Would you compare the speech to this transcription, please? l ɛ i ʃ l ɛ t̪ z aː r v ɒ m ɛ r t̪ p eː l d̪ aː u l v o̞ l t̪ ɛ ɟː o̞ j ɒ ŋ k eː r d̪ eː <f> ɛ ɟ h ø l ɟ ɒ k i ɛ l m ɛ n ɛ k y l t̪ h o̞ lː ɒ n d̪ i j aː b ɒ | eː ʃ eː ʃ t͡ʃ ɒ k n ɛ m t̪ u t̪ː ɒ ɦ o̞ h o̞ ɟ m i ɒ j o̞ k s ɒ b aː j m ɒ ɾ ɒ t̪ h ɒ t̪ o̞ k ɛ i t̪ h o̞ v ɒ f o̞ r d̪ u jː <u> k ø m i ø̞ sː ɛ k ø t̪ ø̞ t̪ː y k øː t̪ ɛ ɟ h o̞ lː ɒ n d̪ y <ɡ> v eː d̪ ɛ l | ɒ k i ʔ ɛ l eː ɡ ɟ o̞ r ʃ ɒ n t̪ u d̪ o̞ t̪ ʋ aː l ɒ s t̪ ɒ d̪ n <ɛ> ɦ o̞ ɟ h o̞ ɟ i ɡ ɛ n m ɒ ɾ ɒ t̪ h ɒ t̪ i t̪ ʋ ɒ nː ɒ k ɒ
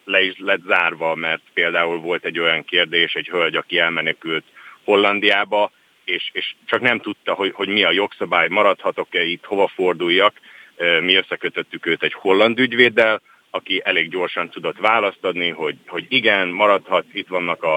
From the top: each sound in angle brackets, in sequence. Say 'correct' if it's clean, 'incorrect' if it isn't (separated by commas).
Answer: incorrect, incorrect, incorrect, incorrect